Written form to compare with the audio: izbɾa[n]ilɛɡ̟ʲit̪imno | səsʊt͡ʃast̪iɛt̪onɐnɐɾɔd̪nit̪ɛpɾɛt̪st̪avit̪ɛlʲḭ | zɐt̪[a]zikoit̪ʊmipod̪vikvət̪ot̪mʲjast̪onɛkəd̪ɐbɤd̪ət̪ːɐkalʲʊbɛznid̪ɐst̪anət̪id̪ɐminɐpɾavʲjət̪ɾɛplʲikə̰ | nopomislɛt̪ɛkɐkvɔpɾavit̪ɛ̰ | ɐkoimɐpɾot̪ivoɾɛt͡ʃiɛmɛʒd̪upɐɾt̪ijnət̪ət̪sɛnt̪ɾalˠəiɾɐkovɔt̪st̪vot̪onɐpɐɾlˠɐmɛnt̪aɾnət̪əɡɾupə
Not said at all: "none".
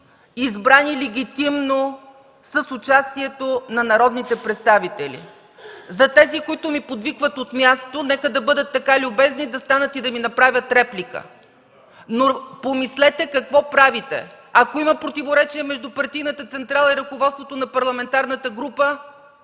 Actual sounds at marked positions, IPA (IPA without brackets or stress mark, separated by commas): n, ɛ